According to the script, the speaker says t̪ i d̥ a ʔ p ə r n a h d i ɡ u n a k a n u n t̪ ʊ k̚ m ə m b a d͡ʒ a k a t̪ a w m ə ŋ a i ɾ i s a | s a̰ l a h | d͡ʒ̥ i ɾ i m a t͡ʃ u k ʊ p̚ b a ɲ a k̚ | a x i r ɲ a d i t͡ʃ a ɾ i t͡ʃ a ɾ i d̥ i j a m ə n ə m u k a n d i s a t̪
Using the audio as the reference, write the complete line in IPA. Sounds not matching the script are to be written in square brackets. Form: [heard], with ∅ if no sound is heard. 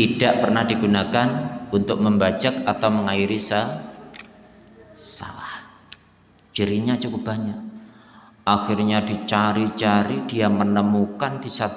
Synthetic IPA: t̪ i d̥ a ʔ p ə r n a h d i ɡ u n a k a n u n t̪ ʊ k̚ m ə m b a d͡ʒ a k a t̪ a w m ə ŋ a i ɾ i s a | s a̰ l a h | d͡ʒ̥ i ɾ i [ɲ] a t͡ʃ u k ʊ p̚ b a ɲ a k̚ | a x i r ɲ a d i t͡ʃ a ɾ i t͡ʃ a ɾ i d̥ i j a m ə n ə m u k a n d i s a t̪